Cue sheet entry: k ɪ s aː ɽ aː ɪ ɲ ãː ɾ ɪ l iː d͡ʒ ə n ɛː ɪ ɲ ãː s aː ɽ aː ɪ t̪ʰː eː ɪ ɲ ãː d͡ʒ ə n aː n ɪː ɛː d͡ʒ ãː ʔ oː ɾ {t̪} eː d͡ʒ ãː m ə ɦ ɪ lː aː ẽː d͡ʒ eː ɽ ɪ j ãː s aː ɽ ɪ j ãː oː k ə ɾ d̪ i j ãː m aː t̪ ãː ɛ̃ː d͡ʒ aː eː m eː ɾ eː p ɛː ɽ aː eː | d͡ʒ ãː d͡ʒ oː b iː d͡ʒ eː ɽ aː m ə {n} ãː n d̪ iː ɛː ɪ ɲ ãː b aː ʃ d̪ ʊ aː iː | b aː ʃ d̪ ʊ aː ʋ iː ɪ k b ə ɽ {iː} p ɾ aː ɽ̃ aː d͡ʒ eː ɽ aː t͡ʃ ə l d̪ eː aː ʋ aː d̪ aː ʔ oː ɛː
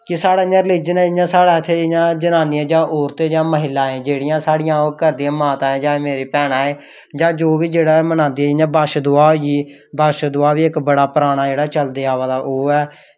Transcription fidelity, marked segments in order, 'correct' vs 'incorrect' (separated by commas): correct, correct, incorrect